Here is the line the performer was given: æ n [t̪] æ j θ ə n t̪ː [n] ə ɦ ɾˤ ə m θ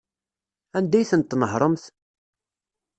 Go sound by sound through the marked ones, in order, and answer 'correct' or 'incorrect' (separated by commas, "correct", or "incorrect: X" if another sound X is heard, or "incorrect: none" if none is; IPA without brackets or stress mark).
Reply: incorrect: d̪, correct